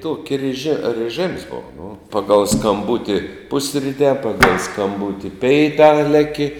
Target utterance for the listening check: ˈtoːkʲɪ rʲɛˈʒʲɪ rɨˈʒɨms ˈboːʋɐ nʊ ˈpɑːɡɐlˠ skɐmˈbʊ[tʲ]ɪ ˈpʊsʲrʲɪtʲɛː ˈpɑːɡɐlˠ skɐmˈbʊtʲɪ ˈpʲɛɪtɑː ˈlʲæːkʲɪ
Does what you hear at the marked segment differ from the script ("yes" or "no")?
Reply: no